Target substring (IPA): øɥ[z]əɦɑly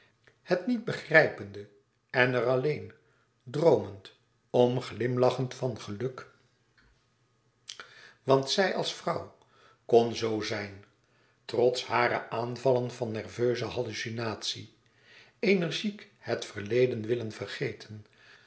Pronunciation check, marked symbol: correct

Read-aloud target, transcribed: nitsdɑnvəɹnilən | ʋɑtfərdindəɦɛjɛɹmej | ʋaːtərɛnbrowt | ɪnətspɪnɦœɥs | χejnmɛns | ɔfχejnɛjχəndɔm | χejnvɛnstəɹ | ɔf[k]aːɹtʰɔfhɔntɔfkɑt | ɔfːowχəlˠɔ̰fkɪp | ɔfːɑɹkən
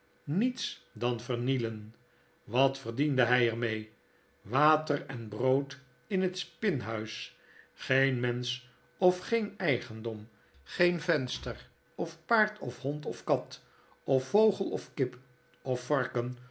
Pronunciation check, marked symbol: incorrect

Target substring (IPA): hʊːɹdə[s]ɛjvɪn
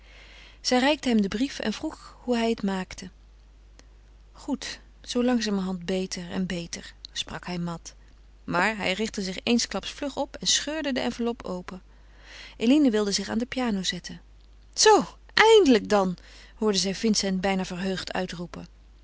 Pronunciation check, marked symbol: incorrect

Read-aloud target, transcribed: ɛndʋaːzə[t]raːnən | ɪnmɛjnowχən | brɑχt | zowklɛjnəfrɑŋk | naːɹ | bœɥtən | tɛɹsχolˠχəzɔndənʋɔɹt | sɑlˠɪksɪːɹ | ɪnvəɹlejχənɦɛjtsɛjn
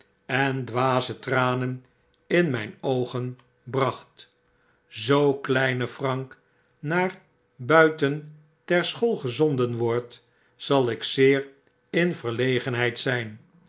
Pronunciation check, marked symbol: correct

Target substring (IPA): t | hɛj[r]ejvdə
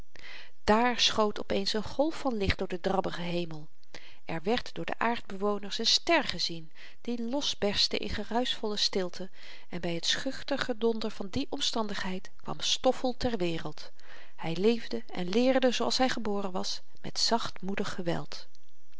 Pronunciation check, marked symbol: incorrect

